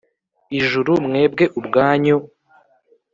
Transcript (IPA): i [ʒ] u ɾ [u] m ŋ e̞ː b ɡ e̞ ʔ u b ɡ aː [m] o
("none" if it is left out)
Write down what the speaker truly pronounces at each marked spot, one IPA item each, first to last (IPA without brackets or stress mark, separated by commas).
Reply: ʒ, u, ɲ